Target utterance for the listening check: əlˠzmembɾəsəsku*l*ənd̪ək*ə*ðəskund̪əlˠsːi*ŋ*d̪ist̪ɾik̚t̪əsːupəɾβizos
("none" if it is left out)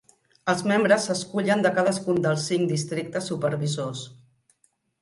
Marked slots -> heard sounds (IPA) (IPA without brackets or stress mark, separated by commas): ʎ, a, ŋ